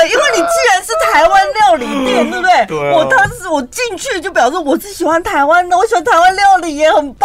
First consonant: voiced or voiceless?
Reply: voiced